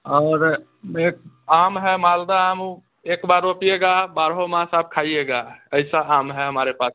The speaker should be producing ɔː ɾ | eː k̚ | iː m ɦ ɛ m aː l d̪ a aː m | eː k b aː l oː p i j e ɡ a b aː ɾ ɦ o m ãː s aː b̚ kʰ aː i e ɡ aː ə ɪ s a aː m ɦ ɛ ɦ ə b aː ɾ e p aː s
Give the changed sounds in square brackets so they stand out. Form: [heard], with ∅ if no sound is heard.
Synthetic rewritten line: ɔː ɾ | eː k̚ | [aː] m ɦ ɛ m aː l d̪ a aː m | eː k b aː [ɾ] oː p i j e ɡ a b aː ɾ ɦ o m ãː s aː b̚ kʰ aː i e ɡ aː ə ɪ s a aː m ɦ ɛ ɦ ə [m] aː ɾ e p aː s